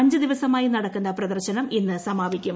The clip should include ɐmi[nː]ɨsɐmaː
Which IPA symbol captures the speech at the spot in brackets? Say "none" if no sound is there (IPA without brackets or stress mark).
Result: nː